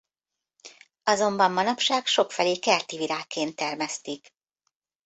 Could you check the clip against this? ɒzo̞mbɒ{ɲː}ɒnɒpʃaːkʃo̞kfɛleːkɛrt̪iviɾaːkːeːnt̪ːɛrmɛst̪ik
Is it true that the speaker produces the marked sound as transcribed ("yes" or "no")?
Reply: no